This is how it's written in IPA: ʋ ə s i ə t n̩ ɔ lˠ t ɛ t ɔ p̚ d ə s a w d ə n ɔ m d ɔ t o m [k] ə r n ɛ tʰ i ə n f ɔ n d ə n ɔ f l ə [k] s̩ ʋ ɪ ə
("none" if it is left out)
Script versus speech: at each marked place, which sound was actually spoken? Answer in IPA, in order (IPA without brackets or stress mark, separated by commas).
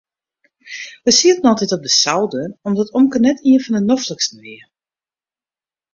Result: k, k